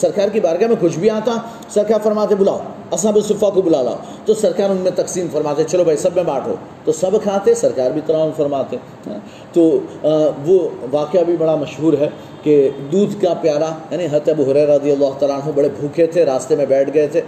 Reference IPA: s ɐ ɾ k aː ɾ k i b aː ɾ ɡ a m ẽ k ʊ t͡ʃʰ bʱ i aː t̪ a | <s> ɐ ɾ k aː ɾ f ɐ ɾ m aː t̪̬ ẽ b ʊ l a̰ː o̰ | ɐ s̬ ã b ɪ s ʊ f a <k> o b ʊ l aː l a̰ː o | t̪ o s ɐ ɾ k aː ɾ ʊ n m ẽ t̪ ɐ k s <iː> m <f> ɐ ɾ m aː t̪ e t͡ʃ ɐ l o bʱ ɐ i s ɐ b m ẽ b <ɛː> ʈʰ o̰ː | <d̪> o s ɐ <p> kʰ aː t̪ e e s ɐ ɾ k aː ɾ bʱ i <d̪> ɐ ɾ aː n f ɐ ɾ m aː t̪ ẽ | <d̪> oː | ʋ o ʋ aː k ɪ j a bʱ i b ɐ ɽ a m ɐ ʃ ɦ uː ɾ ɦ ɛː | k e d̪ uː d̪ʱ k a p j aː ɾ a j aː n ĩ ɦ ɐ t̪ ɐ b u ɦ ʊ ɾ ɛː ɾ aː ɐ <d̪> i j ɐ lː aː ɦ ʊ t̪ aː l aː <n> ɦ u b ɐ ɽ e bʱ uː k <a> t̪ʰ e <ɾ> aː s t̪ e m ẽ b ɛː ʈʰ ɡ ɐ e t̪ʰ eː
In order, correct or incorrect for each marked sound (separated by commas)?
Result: correct, correct, correct, correct, incorrect, incorrect, incorrect, incorrect, incorrect, correct, correct, incorrect, correct